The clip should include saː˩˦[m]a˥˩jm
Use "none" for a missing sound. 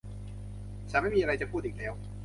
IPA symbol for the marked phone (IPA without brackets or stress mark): m